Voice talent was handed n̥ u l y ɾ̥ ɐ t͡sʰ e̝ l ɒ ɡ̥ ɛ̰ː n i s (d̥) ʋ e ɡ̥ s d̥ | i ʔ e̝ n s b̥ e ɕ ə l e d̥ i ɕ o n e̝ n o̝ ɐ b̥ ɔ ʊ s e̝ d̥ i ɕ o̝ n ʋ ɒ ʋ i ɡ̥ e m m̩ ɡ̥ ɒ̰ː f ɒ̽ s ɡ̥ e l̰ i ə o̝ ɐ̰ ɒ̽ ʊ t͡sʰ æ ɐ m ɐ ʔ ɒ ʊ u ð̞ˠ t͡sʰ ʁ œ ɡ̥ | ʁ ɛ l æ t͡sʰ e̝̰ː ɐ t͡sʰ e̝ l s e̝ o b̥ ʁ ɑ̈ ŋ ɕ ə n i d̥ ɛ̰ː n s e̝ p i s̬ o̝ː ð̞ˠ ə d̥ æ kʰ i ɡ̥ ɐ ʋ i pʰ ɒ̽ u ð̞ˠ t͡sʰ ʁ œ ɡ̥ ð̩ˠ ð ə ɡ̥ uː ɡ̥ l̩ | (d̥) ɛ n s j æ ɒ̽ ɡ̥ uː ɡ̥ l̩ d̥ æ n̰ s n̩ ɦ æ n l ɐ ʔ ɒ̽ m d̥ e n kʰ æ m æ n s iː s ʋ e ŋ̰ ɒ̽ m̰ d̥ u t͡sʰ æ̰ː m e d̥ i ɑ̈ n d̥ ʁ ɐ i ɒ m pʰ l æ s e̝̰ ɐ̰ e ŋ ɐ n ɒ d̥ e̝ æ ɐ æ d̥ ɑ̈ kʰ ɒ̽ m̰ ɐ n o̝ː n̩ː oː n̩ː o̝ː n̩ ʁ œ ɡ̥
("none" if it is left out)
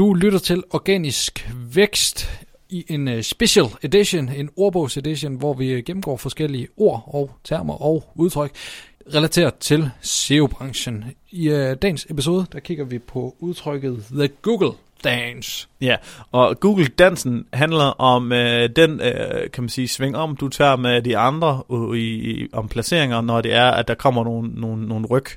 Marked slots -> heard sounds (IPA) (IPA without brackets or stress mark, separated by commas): ɡ̥, d̥